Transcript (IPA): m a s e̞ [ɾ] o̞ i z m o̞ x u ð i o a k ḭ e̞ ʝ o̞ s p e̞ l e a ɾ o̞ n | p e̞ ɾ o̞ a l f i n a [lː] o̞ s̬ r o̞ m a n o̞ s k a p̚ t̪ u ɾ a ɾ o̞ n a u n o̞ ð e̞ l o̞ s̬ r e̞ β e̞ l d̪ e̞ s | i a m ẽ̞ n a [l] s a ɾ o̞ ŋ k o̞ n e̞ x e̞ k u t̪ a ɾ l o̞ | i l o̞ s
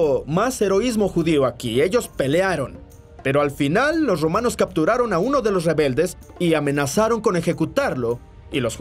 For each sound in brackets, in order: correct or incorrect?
correct, correct, incorrect

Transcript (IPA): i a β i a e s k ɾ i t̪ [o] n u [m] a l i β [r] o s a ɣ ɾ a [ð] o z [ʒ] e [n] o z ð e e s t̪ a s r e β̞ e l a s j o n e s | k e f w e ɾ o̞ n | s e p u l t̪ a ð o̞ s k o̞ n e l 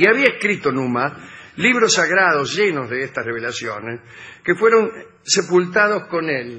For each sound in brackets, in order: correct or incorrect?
correct, correct, incorrect, correct, correct, correct

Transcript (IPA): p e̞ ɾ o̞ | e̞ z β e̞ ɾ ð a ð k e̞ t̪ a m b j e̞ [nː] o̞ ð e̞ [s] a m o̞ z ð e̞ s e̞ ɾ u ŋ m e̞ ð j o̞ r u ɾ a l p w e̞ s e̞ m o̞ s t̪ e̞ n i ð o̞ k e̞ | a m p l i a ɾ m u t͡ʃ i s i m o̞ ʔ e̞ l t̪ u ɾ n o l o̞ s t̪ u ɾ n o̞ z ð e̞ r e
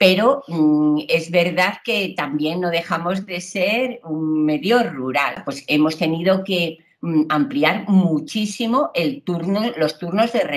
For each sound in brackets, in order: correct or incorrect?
correct, incorrect

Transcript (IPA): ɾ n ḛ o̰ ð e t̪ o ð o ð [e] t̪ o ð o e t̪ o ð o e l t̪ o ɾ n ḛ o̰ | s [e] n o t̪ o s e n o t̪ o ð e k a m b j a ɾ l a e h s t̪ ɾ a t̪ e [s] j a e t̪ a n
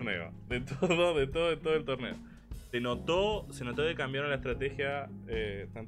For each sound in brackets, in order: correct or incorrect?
correct, correct, incorrect

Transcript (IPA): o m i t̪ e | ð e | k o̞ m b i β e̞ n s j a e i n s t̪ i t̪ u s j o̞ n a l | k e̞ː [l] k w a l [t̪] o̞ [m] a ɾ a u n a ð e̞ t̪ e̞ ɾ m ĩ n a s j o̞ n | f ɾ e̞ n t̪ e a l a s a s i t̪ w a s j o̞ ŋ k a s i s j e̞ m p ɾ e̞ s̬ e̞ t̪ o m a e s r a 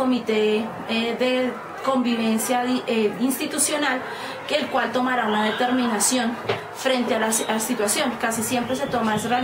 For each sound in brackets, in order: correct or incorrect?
correct, correct, correct

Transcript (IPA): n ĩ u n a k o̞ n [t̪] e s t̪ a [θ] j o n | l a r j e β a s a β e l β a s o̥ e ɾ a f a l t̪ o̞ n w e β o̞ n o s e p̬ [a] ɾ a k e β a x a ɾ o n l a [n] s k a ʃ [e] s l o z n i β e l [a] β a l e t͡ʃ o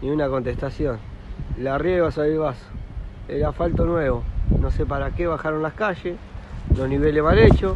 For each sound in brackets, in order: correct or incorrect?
correct, incorrect, correct, incorrect, correct, incorrect

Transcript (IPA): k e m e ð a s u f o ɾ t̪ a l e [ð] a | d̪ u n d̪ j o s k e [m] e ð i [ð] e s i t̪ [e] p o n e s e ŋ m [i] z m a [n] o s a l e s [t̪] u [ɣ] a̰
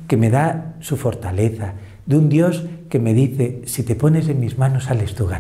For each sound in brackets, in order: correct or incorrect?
incorrect, correct, incorrect, correct, correct, correct, correct, correct

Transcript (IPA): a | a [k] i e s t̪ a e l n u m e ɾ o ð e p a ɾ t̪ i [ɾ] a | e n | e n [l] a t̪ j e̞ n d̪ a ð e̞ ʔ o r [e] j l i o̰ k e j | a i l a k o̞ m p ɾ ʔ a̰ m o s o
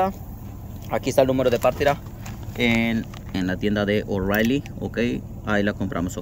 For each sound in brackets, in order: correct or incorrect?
correct, correct, correct, incorrect

